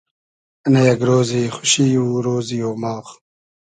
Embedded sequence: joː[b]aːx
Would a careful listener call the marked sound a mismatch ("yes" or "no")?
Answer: yes